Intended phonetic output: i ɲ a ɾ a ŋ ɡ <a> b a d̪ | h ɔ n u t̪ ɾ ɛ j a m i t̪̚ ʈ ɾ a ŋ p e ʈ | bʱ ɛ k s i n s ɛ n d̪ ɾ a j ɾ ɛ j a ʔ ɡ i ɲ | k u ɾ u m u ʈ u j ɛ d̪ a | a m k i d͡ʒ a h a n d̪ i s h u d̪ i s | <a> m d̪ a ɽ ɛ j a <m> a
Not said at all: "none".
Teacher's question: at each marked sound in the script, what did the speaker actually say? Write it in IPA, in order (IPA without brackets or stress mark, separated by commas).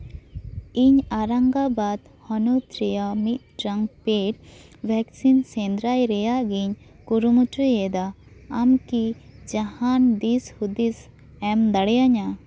a, ɛ, ɲ